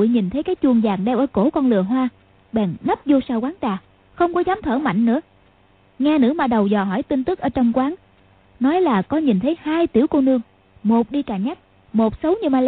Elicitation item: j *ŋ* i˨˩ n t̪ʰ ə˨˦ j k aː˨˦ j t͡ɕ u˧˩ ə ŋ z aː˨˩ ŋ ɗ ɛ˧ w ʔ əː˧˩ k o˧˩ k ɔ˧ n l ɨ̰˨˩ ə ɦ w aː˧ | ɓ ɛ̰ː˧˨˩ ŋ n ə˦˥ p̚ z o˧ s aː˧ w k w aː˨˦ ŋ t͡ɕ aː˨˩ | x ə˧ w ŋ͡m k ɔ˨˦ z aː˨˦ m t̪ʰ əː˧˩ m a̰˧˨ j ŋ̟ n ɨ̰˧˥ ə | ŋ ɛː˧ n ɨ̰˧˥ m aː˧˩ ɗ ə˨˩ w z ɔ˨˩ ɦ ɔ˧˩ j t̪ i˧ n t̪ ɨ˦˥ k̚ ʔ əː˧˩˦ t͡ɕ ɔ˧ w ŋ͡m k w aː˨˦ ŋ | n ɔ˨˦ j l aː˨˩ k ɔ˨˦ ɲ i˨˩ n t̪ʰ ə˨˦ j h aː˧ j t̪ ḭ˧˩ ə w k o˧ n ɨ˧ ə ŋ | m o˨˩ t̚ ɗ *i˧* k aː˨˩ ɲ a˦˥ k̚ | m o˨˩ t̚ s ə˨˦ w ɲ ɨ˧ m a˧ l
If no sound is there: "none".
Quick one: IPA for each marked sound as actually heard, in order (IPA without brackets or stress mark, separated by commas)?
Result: ɲ, i˧